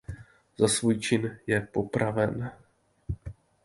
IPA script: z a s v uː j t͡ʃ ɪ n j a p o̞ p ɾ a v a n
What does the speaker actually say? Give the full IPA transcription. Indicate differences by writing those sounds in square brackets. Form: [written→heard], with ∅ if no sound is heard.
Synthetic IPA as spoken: z a s v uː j t͡ʃ ɪ n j [a→ɛ] p o̞ p ɾ a v [a→ɛ] n